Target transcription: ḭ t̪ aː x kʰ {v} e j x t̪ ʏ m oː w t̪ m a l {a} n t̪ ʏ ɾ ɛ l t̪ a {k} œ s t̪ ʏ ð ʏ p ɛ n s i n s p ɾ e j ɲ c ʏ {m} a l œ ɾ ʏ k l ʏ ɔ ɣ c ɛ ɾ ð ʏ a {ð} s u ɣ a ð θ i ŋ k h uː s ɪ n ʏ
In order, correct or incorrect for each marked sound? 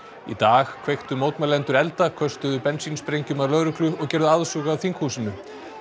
correct, incorrect: ɛ, incorrect: kʰ, correct, correct

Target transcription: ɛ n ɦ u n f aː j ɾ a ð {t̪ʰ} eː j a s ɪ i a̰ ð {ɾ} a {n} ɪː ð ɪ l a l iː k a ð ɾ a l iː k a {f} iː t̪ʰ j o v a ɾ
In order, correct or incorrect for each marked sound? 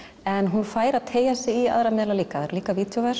correct, correct, incorrect: m, incorrect: v

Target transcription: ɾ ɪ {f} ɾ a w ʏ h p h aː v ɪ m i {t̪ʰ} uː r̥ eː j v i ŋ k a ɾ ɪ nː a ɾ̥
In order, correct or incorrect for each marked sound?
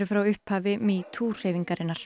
correct, correct

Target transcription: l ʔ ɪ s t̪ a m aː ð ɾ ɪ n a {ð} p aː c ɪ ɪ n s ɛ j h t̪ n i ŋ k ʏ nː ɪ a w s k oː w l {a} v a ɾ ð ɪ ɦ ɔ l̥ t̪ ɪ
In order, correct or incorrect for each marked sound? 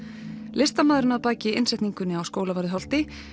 correct, correct

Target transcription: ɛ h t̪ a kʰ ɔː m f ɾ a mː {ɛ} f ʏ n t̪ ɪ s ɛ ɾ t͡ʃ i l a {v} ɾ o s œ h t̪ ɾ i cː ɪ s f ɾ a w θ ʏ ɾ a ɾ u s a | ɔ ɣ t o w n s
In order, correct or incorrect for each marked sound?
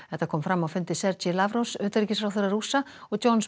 incorrect: a, correct

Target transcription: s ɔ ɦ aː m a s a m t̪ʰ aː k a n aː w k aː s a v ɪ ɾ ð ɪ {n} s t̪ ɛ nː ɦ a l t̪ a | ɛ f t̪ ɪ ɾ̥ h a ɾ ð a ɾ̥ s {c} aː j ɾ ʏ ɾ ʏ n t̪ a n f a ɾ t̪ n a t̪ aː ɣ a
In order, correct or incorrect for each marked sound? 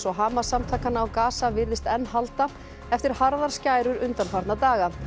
incorrect: none, correct

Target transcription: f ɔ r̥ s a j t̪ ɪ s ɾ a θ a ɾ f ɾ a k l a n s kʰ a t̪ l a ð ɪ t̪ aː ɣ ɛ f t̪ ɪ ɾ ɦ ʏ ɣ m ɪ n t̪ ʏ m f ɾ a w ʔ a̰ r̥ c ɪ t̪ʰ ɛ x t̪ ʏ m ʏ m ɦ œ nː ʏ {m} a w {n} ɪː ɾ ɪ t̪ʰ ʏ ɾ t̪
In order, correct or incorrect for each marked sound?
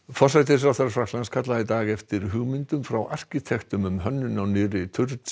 incorrect: n, correct

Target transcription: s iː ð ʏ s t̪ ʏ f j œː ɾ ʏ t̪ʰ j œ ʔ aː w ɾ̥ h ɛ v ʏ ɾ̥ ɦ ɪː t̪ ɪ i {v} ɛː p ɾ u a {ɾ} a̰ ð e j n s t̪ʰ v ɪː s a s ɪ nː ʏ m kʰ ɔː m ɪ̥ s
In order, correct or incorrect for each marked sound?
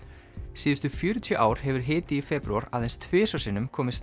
incorrect: f, correct

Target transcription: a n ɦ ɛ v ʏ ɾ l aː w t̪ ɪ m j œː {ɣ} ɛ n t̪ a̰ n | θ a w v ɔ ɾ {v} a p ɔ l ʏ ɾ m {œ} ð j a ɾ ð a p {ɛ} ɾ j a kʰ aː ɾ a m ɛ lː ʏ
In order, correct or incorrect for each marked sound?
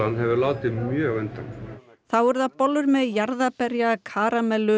correct, incorrect: ð, incorrect: ɛ, correct

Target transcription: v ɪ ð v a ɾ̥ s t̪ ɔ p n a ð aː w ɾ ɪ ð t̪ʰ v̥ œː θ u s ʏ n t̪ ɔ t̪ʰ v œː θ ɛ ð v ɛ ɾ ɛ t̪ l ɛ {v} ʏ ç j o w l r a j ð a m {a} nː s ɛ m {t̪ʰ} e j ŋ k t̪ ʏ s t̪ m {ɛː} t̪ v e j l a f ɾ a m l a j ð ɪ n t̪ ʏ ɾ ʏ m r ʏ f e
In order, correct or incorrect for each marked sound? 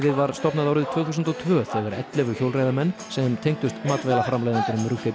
correct, incorrect: ɛ, correct, incorrect: aː

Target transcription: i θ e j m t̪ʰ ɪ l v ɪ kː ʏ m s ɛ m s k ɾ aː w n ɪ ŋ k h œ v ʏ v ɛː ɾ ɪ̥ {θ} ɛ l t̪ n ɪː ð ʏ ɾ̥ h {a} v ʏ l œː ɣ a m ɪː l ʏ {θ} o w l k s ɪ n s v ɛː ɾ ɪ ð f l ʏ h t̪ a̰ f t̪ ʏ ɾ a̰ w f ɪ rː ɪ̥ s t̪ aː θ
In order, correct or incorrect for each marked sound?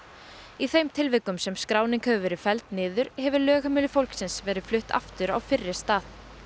incorrect: f, incorrect: ɛ, incorrect: f

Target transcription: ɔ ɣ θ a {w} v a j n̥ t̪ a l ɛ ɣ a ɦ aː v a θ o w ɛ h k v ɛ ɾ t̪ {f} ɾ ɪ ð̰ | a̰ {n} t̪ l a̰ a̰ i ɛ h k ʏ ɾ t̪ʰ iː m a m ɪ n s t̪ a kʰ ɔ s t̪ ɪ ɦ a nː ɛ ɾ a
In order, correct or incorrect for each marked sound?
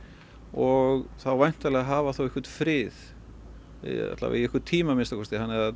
correct, correct, incorrect: none

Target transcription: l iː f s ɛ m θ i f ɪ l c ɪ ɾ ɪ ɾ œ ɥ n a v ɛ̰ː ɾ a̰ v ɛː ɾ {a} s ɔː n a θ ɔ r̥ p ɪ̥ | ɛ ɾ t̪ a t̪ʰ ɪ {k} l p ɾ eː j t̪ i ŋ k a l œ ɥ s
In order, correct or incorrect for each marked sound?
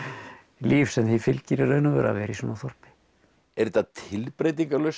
incorrect: i, incorrect: none

